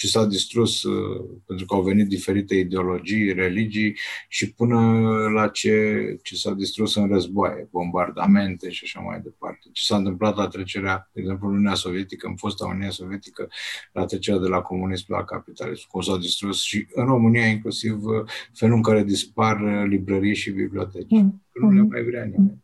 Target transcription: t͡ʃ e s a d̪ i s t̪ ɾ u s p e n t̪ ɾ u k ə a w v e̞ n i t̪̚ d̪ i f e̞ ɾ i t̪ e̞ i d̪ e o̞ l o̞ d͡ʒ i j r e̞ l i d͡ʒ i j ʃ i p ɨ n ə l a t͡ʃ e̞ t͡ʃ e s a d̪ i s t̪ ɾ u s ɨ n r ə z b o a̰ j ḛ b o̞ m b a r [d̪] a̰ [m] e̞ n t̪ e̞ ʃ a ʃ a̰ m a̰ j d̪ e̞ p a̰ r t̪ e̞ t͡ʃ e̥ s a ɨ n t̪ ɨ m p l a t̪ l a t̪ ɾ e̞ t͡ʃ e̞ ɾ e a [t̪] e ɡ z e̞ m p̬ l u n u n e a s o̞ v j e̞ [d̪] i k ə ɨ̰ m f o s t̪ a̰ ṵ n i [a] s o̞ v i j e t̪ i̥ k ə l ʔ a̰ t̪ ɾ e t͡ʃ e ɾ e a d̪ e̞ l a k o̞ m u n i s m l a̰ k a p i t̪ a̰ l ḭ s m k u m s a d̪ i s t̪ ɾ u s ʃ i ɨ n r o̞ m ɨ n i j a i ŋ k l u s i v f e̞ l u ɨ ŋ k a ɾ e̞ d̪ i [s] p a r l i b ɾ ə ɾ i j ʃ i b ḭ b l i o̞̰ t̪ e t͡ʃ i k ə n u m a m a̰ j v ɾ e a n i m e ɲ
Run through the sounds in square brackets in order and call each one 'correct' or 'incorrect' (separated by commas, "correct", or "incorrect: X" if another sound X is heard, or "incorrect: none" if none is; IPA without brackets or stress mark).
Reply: correct, correct, incorrect: d̪, incorrect: t̪, correct, correct